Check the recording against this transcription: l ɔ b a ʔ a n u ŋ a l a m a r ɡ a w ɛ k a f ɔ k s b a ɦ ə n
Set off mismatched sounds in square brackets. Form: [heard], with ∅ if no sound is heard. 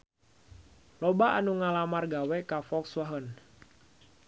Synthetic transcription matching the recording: l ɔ b a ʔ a n u ŋ a l a m a r ɡ a w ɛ k a f ɔ k s [w] a ɦ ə n